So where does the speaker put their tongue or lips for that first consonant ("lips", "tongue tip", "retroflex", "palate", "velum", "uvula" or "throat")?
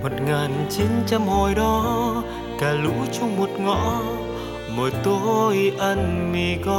lips